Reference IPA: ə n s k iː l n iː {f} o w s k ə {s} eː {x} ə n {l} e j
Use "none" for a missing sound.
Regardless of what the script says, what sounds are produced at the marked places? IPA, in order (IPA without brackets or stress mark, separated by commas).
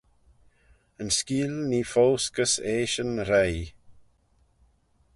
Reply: f, s, ʃ, ɾ